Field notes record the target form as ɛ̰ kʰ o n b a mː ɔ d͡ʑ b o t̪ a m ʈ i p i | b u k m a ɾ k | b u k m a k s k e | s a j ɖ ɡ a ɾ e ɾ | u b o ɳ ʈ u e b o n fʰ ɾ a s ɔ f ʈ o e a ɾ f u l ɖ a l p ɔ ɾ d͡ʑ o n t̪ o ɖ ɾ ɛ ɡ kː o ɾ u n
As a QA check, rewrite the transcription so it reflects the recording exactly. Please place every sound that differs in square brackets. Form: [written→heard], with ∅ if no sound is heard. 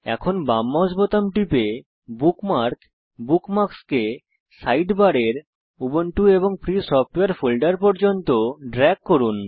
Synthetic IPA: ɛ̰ kʰ o n b a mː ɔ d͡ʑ b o t̪ a m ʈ i p [i→e] | b u k m a ɾ k | b u k m a k s k e | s a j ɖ [ɡ→b] a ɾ e ɾ | u b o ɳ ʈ u e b o [n→ŋ] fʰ ɾ [a→i] s ɔ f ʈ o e a ɾ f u l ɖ a [l→ɾ] p ɔ ɾ d͡ʑ o n t̪ o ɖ ɾ ɛ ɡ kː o ɾ u n

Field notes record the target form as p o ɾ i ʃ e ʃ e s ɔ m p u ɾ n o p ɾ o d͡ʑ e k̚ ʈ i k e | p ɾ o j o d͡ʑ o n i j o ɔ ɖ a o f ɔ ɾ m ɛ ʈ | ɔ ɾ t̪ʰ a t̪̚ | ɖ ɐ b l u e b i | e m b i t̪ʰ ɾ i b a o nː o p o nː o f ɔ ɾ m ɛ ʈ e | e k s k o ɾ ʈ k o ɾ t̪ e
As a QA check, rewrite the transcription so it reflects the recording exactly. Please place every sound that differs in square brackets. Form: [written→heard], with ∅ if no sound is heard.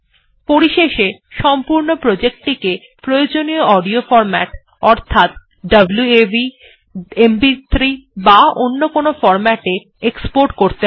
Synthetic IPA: p o ɾ i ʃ e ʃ e [s→ʃ] ɔ m p u ɾ n o p ɾ o d͡ʑ e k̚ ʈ i k e | p ɾ o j o d͡ʑ o n i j o ɔ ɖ [a→i] o f ɔ ɾ m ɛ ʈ | ɔ ɾ t̪ʰ a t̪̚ | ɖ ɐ b l u e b i | e m b i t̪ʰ ɾ i b a o nː o [p→k] o [nː→n] o f ɔ ɾ m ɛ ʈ e | e k s [k→p] o ɾ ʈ k o ɾ t̪ e

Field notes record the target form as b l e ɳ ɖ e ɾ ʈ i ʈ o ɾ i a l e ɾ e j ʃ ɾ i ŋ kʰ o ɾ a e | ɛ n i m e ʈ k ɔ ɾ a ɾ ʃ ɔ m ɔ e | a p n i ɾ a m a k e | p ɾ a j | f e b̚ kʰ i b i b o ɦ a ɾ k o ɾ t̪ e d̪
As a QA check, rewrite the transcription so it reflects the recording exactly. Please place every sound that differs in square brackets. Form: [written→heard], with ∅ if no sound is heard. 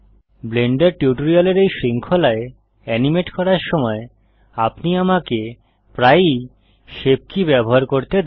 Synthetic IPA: b l e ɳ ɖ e ɾ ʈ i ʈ o ɾ i a l e ɾ e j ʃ ɾ i ŋ kʰ o [ɾ→l] a e | ɛ n i m e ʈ k ɔ ɾ a ɾ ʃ ɔ m ɔ e | a p n i [ɾ→∅] a m a k e | p ɾ a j | [f→ʃ] e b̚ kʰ i b [i→ɛ] b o ɦ a ɾ k o ɾ t̪ e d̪

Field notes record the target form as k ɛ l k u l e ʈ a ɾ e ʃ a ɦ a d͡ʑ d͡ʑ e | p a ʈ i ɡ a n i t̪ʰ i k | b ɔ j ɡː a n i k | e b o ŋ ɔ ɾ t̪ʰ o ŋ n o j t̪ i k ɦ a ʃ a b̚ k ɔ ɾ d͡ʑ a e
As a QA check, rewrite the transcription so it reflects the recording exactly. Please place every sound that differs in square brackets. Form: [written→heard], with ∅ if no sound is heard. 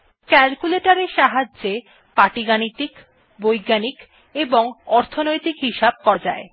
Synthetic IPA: k ɛ l k u l e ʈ a ɾ e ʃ a ɦ a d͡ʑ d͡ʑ e | p a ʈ i ɡ a n i [t̪ʰ→t̪] i k | b [ɔ→o] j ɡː a n i k | e b o ŋ ɔ ɾ t̪ʰ o [ŋ→∅] n o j t̪ i k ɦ [a→i] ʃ a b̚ k ɔ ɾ d͡ʑ a e

